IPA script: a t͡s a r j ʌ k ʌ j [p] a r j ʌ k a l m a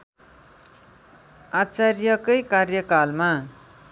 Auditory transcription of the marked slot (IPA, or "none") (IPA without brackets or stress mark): k